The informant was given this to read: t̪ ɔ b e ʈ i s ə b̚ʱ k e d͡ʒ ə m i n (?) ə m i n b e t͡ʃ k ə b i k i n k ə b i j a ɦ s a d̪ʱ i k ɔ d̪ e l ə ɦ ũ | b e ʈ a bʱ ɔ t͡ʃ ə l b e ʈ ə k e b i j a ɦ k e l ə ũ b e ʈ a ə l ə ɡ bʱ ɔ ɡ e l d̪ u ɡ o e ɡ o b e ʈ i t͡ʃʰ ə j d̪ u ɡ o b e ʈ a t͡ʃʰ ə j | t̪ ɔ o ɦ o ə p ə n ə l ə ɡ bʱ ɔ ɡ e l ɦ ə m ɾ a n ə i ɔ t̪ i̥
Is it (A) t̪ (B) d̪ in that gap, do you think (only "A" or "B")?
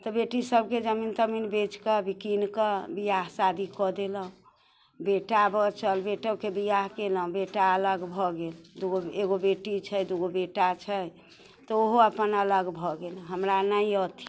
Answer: A